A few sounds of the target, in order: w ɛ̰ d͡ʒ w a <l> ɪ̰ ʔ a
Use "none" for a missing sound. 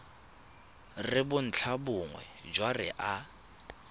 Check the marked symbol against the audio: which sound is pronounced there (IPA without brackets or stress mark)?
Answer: r